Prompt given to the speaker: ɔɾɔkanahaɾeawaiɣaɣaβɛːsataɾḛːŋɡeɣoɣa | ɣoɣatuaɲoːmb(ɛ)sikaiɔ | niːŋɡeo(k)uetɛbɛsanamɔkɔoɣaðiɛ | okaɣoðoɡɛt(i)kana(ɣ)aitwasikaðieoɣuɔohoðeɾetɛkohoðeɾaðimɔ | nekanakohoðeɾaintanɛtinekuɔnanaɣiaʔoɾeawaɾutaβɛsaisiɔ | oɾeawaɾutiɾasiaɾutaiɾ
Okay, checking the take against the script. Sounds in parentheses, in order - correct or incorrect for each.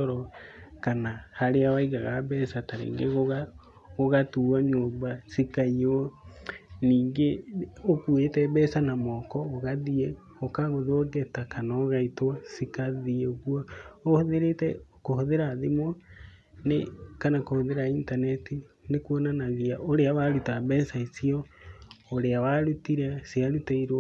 incorrect, correct, incorrect, correct

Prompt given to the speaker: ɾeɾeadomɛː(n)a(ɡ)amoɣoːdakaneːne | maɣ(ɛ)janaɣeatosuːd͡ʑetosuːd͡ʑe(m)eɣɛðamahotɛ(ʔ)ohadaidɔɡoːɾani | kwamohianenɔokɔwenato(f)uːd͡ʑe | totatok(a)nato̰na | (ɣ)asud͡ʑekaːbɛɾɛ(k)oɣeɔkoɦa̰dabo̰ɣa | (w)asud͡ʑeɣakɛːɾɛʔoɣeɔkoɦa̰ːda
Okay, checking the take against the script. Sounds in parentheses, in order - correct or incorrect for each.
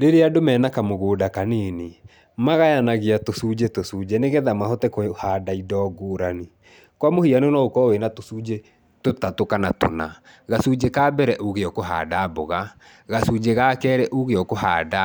correct, incorrect, incorrect, incorrect, incorrect, incorrect, correct, correct, incorrect, incorrect

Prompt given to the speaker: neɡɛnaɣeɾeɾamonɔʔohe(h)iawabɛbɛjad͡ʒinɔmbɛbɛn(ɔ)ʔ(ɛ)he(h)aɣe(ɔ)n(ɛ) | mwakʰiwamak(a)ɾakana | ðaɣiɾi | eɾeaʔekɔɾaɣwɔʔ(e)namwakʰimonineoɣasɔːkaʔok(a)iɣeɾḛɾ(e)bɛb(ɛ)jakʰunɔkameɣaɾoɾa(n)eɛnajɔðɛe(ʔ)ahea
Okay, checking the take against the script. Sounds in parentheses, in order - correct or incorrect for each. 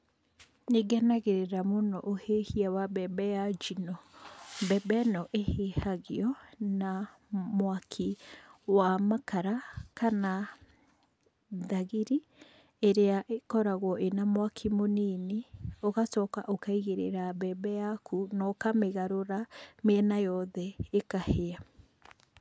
correct, correct, incorrect, correct, correct, incorrect, correct, correct, correct, incorrect, correct, incorrect, incorrect

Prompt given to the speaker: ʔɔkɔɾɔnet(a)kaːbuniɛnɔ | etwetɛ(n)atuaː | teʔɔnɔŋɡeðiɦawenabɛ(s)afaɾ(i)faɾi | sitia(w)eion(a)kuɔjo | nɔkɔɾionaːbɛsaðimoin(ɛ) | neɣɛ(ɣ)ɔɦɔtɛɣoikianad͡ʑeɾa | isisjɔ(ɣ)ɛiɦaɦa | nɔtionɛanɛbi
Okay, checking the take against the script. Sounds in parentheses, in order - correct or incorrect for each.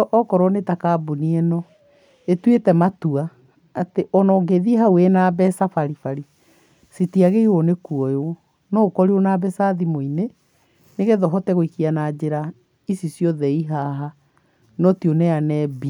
correct, incorrect, correct, correct, incorrect, incorrect, incorrect, incorrect, incorrect

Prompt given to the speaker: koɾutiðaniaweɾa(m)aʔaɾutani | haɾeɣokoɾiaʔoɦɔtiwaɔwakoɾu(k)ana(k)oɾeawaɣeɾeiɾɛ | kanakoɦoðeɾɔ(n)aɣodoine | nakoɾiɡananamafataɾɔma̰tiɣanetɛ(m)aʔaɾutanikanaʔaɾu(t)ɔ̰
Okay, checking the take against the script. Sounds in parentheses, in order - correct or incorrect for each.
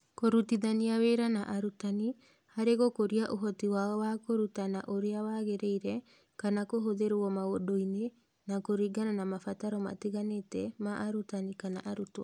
incorrect, incorrect, incorrect, incorrect, correct, correct

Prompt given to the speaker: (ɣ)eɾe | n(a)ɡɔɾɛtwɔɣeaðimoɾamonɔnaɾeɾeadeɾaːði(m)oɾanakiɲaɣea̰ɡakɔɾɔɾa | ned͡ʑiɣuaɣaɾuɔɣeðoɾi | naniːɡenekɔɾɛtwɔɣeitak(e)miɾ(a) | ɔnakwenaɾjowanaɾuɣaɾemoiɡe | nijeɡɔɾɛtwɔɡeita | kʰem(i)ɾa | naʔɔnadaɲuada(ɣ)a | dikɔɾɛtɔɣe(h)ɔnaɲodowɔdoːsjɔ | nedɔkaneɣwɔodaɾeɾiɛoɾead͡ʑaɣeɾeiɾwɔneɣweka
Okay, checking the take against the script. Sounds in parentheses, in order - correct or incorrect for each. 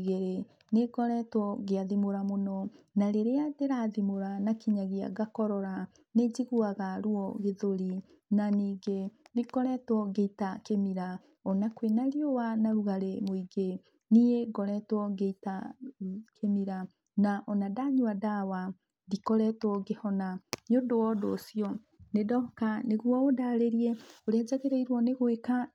correct, incorrect, correct, correct, correct, correct, incorrect, correct

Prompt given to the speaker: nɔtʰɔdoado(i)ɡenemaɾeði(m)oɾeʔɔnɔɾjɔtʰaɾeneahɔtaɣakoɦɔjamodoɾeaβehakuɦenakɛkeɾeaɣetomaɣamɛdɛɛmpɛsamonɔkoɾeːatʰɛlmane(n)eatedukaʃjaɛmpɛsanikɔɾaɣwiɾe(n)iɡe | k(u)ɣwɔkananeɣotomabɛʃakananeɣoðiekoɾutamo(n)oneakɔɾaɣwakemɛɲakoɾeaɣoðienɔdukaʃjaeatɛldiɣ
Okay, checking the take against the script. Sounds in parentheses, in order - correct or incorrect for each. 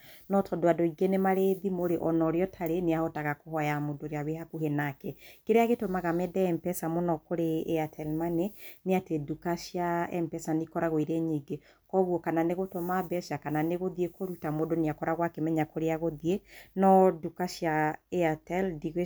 correct, correct, correct, incorrect, incorrect, incorrect

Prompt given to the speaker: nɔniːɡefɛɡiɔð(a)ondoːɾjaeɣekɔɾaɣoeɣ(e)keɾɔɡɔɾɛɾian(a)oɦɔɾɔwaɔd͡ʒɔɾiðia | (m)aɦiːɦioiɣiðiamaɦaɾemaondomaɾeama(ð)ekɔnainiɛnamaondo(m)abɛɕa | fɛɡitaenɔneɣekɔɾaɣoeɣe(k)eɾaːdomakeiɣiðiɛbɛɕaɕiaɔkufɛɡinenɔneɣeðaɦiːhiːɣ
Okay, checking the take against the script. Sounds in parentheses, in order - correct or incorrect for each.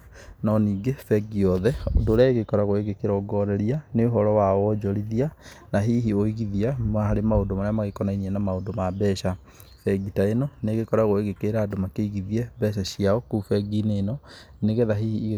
incorrect, correct, incorrect, incorrect, incorrect, correct, correct

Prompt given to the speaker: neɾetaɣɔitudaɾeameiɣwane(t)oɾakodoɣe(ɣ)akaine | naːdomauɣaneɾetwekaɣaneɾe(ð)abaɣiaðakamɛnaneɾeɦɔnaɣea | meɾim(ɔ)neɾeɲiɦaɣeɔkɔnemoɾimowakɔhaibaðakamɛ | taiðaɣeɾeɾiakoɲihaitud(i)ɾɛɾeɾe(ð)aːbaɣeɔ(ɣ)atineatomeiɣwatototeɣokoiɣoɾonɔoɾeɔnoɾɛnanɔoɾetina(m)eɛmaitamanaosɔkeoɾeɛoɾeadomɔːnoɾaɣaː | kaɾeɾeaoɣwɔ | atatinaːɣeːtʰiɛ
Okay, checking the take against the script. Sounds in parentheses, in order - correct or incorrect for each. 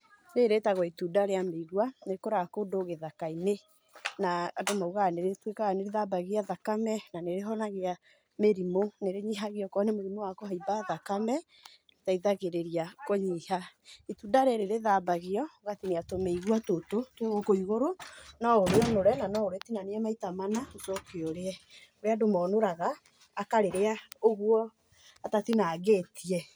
incorrect, incorrect, correct, incorrect, incorrect, correct, correct, incorrect

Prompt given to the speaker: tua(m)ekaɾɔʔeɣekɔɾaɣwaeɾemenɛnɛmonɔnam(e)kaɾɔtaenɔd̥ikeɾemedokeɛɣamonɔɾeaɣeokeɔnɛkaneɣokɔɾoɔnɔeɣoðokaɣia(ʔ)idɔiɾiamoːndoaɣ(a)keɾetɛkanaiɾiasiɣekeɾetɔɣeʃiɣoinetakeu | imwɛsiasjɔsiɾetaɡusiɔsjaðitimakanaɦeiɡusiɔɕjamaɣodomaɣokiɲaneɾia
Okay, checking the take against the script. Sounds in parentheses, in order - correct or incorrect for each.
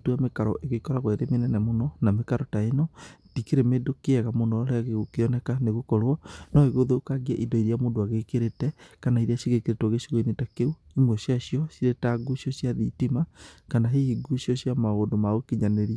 correct, correct, correct, incorrect

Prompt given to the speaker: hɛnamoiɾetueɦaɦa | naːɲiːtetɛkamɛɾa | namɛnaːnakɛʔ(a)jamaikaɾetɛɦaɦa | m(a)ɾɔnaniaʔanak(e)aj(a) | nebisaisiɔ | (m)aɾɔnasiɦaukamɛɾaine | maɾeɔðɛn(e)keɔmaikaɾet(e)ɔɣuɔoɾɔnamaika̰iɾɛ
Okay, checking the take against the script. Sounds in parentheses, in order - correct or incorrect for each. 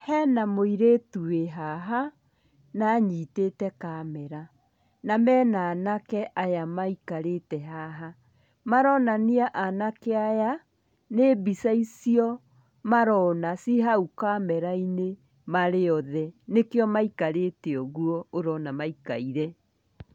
correct, correct, correct, correct, correct, correct, correct

